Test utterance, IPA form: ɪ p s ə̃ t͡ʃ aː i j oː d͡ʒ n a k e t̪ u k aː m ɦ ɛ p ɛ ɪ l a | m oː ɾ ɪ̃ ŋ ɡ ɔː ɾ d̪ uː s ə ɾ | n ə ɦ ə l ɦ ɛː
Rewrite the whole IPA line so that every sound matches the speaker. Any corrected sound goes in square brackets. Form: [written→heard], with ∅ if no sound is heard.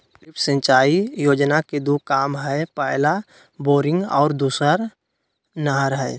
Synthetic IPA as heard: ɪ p s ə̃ t͡ʃ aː i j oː d͡ʒ n a k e [t̪→d̪] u k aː m ɦ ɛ p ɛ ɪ l a | [m→b] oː ɾ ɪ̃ ŋ ɡ ɔː ɾ d̪ uː s ə ɾ | n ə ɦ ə [l→ɾ] ɦ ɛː